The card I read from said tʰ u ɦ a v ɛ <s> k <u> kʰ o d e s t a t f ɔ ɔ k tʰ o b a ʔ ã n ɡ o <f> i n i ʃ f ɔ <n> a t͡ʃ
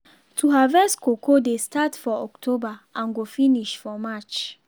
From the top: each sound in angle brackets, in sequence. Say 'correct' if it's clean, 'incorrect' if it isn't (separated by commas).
correct, incorrect, correct, incorrect